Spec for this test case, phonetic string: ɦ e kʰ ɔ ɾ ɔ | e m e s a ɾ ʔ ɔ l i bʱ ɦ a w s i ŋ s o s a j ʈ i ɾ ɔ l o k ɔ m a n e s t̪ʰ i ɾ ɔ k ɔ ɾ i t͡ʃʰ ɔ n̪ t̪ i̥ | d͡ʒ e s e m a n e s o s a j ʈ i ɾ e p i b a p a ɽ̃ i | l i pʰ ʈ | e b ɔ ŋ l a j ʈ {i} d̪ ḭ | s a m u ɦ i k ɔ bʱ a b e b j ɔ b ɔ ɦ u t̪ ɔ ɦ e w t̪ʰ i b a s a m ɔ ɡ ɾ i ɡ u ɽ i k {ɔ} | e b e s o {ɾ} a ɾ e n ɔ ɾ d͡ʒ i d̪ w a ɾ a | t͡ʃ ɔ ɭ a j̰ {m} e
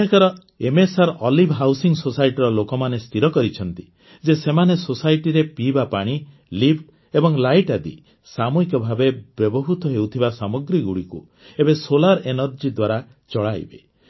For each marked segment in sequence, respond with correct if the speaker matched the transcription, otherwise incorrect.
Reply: incorrect, incorrect, incorrect, incorrect

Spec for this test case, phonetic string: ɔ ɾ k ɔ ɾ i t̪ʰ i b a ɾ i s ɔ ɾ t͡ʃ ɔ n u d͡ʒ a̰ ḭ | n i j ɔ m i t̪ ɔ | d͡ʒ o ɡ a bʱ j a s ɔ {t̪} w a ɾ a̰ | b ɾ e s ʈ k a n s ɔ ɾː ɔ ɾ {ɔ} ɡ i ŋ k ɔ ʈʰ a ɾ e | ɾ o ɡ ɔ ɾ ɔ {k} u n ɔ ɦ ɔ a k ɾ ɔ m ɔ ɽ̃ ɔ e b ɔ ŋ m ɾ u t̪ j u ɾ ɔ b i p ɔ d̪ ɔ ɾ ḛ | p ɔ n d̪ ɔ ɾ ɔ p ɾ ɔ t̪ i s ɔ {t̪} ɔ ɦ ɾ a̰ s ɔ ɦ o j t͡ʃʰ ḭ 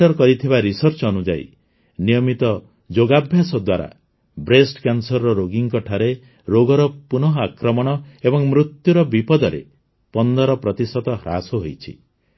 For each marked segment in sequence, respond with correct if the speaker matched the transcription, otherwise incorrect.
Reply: incorrect, incorrect, incorrect, correct

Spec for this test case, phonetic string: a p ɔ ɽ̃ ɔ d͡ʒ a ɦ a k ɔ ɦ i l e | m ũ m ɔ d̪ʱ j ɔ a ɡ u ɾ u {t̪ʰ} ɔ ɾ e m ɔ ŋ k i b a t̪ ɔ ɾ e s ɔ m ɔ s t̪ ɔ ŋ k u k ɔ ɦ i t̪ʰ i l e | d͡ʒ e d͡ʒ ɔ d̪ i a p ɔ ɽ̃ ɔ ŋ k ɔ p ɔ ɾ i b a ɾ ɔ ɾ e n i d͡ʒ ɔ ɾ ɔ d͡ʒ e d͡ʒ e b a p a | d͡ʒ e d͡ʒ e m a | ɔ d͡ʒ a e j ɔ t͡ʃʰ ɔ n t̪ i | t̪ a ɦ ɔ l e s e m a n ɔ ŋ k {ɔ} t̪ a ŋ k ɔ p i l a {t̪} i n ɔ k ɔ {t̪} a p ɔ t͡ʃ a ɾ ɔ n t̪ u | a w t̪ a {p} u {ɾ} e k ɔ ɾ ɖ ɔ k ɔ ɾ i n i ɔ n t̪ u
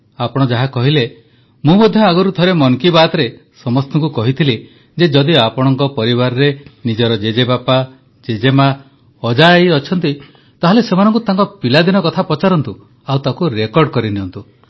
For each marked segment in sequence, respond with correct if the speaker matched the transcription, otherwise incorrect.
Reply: correct, incorrect, incorrect, incorrect, incorrect, correct

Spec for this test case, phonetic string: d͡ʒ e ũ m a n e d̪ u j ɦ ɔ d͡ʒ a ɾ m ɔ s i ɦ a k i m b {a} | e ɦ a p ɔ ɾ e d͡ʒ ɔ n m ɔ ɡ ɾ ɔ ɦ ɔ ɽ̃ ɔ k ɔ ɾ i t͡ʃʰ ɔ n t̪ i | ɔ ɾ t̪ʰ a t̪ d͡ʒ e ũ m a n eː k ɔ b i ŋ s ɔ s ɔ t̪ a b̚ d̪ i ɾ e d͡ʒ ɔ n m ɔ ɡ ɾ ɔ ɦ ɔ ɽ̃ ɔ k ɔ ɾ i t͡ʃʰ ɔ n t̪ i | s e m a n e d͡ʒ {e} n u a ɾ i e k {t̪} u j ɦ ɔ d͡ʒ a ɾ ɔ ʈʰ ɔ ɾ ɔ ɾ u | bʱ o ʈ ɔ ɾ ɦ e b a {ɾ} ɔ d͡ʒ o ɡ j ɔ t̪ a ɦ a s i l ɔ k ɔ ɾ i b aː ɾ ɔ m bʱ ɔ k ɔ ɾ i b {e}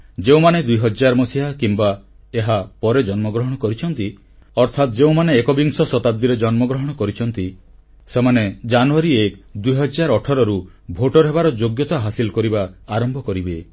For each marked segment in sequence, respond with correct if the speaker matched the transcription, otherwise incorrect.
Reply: correct, incorrect, incorrect, correct, correct

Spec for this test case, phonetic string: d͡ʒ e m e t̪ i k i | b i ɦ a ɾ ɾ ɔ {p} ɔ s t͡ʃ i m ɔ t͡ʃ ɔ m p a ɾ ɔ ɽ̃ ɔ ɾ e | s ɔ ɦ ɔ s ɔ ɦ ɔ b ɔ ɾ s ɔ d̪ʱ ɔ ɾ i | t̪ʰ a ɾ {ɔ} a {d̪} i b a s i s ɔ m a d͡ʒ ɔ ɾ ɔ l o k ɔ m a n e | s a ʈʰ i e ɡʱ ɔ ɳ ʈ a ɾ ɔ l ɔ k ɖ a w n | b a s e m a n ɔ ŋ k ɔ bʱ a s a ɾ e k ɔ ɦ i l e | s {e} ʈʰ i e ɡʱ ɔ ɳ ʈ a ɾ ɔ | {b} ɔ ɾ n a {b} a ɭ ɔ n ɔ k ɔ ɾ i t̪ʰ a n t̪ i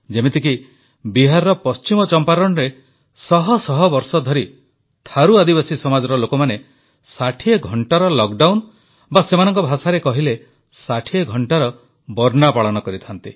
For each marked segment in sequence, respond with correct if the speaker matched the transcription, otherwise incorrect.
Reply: correct, incorrect, correct, incorrect, correct, incorrect

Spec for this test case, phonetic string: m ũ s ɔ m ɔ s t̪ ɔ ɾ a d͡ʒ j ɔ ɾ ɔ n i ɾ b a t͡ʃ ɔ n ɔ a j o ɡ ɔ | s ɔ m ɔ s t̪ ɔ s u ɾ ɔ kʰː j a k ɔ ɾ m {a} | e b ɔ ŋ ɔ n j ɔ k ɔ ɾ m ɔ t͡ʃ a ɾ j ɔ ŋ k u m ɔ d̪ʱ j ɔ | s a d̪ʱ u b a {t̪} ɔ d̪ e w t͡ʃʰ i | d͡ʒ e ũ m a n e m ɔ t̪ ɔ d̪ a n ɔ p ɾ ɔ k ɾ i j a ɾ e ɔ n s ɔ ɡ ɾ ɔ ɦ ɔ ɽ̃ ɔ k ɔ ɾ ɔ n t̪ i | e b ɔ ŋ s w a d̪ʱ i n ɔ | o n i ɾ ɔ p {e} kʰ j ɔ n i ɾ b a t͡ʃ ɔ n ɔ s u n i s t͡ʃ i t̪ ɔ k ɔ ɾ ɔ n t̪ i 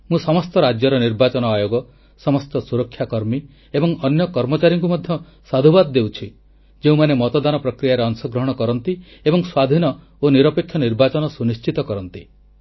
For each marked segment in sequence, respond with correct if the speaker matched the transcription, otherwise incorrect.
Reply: incorrect, incorrect, correct

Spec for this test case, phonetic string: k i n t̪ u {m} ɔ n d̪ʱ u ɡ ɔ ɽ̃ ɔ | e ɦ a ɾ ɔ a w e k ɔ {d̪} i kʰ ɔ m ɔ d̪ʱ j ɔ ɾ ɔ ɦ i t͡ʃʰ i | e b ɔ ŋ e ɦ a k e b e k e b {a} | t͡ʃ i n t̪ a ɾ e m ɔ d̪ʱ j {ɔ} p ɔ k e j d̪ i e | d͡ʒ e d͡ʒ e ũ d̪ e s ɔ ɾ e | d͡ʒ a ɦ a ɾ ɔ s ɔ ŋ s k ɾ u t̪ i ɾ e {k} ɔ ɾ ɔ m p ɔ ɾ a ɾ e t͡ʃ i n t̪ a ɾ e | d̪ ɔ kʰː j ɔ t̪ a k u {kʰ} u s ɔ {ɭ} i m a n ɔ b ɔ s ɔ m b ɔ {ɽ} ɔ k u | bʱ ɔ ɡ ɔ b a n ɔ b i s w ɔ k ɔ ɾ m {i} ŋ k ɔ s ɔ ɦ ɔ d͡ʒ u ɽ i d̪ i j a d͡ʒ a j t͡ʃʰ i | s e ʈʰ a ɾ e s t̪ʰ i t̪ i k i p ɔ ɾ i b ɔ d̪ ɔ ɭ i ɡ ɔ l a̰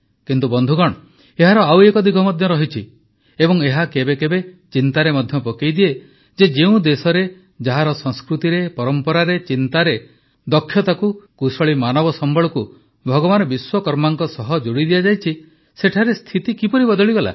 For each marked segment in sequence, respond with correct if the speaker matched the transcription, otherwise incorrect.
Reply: incorrect, correct, incorrect, correct, incorrect, incorrect, correct, incorrect, incorrect

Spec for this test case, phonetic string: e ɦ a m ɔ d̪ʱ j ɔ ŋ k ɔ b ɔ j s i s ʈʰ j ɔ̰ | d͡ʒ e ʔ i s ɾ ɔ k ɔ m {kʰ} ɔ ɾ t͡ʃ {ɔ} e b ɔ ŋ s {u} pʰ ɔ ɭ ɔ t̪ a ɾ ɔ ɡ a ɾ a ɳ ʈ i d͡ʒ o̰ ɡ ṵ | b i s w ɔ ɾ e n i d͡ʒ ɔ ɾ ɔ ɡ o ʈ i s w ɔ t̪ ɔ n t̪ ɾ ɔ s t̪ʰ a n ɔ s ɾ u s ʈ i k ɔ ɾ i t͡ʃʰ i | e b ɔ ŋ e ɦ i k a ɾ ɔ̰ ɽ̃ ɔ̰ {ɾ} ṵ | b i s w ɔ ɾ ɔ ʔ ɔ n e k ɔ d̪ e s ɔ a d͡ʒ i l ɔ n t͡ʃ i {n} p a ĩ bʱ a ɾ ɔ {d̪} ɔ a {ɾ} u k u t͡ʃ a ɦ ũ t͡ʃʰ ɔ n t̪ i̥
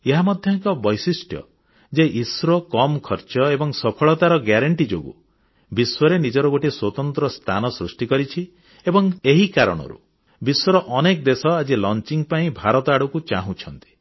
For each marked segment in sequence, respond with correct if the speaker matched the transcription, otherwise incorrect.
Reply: correct, correct, incorrect, correct, incorrect, incorrect, incorrect

